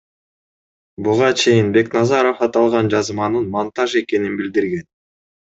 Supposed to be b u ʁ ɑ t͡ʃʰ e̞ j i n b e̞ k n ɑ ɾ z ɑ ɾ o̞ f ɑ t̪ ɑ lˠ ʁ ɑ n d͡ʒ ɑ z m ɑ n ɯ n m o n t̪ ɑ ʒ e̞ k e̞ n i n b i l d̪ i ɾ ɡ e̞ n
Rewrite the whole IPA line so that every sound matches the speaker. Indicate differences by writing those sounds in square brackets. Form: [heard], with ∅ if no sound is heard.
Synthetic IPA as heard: b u ʁ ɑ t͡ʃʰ e̞ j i n b e̞ k n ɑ [∅] z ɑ ɾ o̞ f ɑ t̪ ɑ lˠ ʁ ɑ n d͡ʒ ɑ z m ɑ n ɯ n m o n t̪ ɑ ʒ e̞ k e̞ n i n b i l d̪ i ɾ ɡ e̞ n